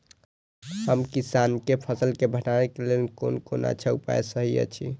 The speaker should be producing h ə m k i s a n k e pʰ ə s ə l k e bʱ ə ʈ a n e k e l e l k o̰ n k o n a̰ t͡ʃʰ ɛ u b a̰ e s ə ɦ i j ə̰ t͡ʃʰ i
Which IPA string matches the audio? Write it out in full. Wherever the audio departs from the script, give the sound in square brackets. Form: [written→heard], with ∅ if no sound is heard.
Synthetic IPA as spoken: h ə m k i s a n k e pʰ ə s ə l k e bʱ ə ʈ a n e k e l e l k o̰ n k o n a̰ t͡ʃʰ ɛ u [b→p] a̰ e s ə ɦ i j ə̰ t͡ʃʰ i